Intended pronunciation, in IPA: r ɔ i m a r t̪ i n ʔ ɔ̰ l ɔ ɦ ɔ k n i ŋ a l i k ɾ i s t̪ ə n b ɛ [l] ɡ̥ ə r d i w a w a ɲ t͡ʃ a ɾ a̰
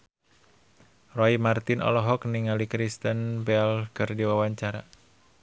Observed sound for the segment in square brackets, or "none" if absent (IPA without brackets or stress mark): l